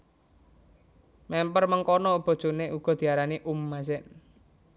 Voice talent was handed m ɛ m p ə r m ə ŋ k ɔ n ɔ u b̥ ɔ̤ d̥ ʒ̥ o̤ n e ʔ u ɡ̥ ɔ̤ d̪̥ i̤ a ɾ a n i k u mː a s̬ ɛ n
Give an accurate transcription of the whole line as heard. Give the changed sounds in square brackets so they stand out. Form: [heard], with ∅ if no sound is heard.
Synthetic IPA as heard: m ɛ m p ə r m ə ŋ k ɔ n ɔ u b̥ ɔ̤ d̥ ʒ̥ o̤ n e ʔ u ɡ̥ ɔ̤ d̪̥ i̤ a ɾ a n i [ʔ] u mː a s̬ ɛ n